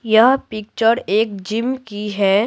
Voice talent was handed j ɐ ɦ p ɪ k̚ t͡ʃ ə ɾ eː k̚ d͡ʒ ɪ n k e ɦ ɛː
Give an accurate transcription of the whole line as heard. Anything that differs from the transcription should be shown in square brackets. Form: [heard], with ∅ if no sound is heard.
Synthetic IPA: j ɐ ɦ p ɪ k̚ t͡ʃ ə ɾ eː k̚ d͡ʒ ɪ [m] k [i] ɦ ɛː